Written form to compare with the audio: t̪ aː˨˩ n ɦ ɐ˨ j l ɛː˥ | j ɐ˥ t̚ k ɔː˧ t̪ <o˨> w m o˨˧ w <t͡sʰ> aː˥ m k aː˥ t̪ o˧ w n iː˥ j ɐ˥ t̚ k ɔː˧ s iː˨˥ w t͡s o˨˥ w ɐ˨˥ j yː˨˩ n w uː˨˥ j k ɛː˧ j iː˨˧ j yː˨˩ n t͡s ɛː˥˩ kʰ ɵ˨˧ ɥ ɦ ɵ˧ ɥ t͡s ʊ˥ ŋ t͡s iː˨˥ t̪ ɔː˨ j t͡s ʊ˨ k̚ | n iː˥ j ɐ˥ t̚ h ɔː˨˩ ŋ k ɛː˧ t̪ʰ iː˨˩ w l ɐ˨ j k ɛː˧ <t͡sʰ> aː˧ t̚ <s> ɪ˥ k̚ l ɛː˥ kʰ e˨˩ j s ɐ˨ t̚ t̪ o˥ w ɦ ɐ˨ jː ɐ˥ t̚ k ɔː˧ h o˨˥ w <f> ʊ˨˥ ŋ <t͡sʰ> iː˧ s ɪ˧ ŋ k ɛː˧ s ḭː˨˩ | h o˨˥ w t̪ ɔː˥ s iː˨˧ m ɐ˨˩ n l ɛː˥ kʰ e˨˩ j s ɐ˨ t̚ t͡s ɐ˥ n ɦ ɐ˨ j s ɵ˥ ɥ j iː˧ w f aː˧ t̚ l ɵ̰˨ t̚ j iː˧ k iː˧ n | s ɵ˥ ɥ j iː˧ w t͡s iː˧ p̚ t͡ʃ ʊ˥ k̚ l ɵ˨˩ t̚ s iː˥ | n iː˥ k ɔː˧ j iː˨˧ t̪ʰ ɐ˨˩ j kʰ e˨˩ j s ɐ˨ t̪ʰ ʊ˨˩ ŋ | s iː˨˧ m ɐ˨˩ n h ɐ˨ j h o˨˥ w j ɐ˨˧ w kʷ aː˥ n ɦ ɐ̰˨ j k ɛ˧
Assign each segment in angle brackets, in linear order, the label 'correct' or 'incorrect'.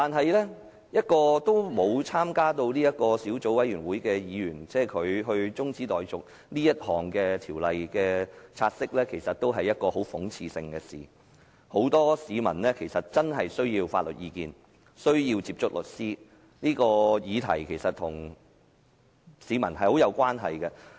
incorrect, correct, correct, correct, correct, correct

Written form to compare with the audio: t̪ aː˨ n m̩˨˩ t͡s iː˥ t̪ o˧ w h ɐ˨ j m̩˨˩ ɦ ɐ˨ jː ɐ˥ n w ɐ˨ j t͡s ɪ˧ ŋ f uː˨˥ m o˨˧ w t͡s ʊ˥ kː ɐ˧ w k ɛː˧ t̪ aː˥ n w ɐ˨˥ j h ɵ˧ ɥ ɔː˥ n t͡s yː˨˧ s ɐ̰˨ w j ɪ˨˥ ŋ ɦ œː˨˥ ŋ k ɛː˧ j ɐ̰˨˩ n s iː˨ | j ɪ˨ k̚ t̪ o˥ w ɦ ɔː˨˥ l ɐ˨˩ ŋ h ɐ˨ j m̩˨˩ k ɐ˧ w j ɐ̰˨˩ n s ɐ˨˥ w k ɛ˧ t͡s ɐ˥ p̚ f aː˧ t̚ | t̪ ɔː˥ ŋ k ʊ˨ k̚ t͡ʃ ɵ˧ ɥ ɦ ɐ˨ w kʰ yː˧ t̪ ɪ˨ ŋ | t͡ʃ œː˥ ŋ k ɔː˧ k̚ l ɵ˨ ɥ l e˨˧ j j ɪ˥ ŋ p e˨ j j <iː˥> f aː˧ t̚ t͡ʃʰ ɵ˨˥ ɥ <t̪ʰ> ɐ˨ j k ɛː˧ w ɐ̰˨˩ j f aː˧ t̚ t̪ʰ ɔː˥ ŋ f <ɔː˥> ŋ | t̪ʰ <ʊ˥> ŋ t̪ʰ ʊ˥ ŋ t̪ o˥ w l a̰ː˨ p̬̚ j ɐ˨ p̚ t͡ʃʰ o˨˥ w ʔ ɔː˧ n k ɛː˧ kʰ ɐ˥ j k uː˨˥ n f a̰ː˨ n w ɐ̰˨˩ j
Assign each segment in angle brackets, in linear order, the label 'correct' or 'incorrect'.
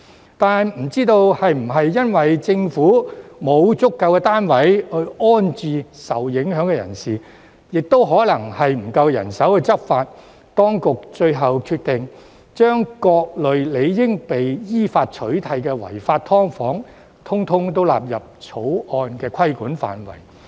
correct, correct, incorrect, correct

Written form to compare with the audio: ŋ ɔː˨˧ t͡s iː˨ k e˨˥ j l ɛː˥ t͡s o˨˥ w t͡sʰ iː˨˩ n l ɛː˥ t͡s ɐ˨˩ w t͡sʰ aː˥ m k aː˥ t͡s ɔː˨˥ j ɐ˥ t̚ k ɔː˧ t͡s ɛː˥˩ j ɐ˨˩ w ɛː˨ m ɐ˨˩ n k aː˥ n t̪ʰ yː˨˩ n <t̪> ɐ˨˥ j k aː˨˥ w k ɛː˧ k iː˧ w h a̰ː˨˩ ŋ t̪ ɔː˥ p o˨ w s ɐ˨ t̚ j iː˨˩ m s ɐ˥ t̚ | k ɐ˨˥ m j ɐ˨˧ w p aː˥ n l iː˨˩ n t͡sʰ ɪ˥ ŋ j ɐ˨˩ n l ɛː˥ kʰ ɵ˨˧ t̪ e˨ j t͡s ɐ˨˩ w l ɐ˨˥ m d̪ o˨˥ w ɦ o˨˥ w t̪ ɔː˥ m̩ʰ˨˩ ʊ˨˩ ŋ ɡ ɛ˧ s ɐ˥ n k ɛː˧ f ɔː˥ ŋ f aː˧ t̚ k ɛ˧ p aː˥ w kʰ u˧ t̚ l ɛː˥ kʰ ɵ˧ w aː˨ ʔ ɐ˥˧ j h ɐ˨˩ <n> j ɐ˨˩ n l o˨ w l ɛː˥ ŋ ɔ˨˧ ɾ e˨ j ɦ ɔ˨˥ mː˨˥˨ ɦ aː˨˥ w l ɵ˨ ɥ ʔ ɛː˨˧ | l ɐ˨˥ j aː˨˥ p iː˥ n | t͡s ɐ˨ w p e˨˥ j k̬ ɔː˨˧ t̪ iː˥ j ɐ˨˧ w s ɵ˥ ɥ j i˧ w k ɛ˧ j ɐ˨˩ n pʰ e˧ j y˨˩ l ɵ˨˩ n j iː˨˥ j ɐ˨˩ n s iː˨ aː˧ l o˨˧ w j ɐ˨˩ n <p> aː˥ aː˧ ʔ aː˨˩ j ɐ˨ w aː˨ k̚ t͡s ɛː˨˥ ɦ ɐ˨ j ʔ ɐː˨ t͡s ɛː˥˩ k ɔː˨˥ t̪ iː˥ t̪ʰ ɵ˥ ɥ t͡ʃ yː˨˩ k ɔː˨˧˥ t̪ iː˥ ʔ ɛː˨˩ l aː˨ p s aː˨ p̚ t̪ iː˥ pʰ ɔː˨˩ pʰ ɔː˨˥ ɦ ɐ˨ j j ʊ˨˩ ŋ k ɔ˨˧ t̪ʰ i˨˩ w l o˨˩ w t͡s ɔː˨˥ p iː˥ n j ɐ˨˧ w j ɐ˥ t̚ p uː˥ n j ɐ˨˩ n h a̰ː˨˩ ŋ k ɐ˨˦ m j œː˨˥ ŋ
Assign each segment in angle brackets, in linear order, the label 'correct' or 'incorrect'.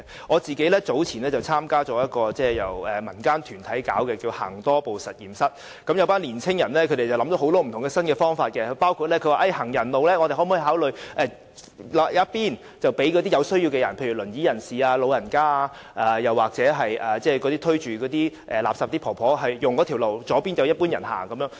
incorrect, incorrect, incorrect

